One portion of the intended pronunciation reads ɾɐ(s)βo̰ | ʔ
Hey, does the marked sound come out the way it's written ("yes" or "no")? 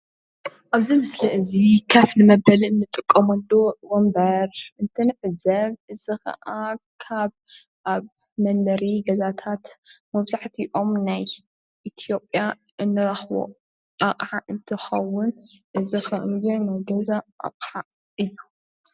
no